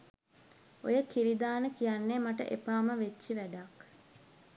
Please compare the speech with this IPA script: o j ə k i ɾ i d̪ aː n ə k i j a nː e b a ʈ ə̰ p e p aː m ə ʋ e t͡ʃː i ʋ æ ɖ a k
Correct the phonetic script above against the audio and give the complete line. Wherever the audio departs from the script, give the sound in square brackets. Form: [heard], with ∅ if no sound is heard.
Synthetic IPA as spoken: o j ə k i ɾ i d̪ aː n ə k i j a nː e [m] a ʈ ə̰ [ʔ] e p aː m ə ʋ e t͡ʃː i ʋ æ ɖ a k